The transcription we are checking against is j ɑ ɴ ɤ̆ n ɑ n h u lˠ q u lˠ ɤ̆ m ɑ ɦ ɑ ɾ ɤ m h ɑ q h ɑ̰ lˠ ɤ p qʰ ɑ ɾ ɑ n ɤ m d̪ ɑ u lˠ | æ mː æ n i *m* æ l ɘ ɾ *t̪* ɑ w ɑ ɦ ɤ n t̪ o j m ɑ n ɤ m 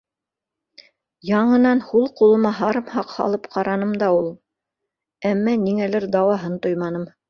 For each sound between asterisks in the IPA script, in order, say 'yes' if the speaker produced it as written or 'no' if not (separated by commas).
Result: no, no